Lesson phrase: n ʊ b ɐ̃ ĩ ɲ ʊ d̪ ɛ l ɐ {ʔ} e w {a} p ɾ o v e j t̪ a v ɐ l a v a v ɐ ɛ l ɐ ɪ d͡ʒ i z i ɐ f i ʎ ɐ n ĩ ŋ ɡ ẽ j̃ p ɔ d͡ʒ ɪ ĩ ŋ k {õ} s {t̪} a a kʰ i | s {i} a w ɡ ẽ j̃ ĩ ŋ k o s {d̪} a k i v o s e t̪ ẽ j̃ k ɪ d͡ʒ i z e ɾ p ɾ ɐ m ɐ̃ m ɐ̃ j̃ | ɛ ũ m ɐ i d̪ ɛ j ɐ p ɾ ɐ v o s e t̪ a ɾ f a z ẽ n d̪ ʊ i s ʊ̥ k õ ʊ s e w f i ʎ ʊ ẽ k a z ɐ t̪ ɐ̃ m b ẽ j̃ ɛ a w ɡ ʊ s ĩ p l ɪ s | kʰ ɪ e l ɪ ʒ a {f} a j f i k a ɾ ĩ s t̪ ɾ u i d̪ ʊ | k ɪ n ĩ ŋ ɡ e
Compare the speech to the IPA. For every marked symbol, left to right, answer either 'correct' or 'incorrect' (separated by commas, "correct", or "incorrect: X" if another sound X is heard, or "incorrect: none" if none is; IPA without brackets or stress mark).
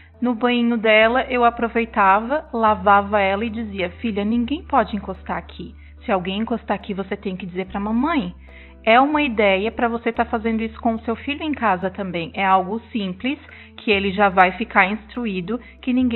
correct, correct, incorrect: o, correct, incorrect: ɪ, incorrect: t̪, incorrect: v